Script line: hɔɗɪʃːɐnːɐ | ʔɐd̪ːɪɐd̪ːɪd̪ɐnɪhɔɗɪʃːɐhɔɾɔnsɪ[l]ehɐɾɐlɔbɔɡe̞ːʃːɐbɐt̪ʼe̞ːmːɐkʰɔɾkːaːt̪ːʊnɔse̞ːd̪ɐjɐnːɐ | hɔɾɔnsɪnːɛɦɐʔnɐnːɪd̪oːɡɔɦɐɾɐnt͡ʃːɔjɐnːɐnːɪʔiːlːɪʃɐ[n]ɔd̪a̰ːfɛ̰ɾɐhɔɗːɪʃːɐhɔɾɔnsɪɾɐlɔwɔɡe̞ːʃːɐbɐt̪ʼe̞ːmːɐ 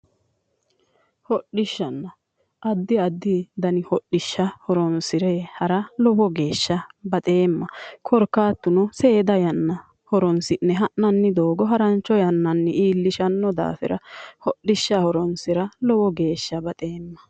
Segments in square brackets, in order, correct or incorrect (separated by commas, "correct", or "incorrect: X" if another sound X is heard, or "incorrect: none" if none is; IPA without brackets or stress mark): incorrect: ɾ, incorrect: nː